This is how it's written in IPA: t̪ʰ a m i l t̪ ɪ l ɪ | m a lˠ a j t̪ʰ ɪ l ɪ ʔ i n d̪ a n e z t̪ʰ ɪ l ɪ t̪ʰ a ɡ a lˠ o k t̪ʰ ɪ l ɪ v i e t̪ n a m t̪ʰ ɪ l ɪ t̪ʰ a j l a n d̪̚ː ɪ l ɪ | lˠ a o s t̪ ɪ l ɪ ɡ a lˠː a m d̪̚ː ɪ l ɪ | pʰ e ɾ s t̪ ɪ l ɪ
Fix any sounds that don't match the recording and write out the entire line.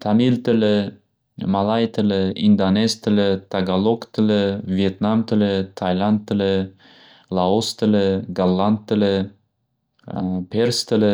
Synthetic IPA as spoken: t̪ʰ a m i l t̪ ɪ l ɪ | m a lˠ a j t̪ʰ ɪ l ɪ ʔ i n d̪ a n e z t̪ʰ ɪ l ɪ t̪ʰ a ɡ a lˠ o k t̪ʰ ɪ l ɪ v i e t̪ n a m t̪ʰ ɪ l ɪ t̪ʰ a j l a n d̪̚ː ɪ l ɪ | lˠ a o s t̪ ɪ l ɪ ɡ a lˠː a n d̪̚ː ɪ l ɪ | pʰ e ɾ s t̪ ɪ l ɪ

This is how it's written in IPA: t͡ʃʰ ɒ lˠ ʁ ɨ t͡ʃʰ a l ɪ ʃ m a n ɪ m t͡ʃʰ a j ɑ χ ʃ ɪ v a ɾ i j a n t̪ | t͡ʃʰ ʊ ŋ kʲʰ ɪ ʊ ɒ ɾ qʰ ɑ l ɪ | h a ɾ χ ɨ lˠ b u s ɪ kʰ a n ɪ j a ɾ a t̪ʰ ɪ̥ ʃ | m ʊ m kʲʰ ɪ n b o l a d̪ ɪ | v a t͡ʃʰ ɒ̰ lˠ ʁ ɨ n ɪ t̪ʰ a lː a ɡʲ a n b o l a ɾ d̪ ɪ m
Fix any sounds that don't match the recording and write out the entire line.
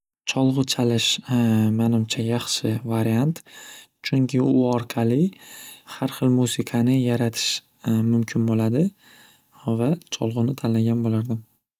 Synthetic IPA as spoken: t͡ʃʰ ɒ lˠ ʁ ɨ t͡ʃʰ a l ɪ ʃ m a n ɪ m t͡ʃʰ a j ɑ χ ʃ ɪ v a ɾ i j a n t̪ | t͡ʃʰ ʊ ŋ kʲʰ ɪ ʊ ɒ ɾ qʰ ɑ l ɪ | h a ɾ χ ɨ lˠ m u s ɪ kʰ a n ɪ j a ɾ a t̪ʰ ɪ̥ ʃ | m ʊ m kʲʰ ɪ n b o l a d̪ ɪ | v a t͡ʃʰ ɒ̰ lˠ ʁ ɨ n ɪ t̪ʰ a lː a ɡʲ a n b o l a ɾ d̪ ɪ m

